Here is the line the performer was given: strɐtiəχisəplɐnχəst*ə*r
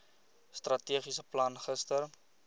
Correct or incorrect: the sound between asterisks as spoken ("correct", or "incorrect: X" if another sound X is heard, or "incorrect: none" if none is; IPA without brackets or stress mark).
correct